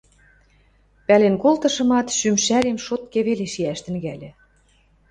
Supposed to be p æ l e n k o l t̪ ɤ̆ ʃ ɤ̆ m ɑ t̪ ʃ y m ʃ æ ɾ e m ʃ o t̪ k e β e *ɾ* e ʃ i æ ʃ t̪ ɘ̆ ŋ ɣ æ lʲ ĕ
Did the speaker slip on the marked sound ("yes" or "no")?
yes